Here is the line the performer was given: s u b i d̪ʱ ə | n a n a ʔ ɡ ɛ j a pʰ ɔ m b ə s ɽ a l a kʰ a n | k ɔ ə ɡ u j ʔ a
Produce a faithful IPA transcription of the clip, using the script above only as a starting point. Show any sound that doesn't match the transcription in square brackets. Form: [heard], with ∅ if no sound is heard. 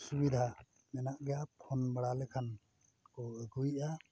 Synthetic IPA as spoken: s u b i d̪ʱ [a] | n [ɛ] n a ʔ ɡ ɛ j a pʰ ɔ [n] b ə [∅] ɽ a l [ɛ] kʰ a n | k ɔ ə ɡ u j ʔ a